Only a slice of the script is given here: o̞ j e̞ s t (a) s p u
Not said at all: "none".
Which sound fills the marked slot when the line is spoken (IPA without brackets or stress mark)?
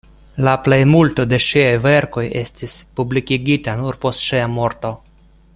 i